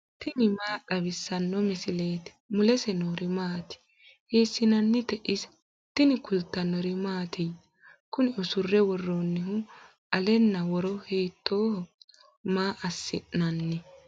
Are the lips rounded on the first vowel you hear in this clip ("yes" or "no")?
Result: no